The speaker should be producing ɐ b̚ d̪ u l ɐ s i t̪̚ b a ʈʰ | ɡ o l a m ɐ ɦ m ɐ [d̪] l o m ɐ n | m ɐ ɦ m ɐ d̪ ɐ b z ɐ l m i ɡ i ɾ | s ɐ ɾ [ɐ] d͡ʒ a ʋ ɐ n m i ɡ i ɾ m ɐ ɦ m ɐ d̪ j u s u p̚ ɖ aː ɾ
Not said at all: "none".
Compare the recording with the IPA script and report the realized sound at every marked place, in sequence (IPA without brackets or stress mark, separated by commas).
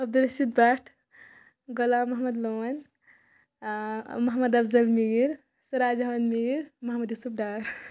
d̪, a